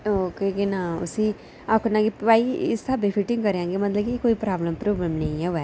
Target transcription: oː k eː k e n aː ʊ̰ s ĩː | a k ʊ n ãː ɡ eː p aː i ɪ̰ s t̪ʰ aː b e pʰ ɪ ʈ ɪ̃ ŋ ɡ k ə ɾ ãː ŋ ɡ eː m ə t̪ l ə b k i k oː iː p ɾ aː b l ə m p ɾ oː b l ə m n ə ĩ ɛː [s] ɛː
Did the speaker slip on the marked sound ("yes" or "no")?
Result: yes